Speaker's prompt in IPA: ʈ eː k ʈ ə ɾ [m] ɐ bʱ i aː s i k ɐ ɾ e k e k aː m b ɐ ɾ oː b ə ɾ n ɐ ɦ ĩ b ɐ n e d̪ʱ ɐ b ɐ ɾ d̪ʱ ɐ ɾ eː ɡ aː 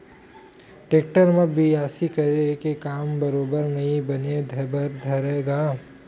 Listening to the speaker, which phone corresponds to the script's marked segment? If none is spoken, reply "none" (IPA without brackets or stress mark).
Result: m